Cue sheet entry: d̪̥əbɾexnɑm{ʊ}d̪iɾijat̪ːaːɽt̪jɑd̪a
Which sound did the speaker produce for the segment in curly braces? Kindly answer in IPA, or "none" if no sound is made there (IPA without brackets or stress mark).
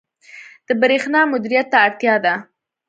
ʊ